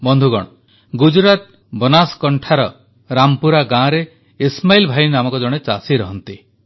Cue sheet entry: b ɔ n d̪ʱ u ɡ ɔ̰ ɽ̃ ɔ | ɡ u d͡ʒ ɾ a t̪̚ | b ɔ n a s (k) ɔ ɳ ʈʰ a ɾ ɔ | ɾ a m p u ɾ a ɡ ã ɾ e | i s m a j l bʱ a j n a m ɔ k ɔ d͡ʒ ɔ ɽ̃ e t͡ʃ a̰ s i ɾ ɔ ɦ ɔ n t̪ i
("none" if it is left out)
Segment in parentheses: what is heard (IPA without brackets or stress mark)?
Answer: k